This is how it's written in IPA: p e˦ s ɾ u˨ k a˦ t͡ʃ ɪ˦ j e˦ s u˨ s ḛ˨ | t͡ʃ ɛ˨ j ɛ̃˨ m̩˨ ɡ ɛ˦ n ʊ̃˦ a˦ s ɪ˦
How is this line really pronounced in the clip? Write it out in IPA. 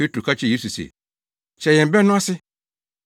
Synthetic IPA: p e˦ t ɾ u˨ k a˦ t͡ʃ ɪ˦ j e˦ s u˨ s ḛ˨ | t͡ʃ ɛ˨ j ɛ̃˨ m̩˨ b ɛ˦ n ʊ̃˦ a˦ s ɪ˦